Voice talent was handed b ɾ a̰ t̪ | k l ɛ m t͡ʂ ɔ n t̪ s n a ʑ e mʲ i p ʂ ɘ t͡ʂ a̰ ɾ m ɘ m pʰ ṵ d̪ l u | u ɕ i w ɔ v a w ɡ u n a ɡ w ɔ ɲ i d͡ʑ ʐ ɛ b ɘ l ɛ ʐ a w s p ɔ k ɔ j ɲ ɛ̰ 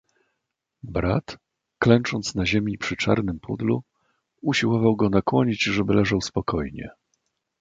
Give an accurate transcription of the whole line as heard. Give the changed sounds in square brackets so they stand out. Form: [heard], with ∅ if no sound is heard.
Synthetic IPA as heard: b ɾ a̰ t̪ | k l ɛ [n] t͡ʂ ɔ n t̪ s n a ʑ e mʲ i p ʂ ɘ t͡ʂ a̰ ɾ [n] ɘ m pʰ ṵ d̪ l u | u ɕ i w ɔ v a w ɡ [ɔ] n a [k] w ɔ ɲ i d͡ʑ ʐ ɛ b ɘ l ɛ ʐ a w s p ɔ k ɔ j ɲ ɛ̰